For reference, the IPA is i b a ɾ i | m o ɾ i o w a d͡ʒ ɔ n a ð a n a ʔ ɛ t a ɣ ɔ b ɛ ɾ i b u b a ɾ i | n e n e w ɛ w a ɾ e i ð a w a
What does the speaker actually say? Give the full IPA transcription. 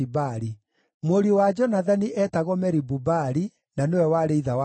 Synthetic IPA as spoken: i b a ɾ i | m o ɾ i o w a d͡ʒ ɔ n a ð a n i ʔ ɛ t a ɣ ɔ m ɛ ɾ i b u b a ɾ i | n a n e w ɛ w a ɾ e i ð a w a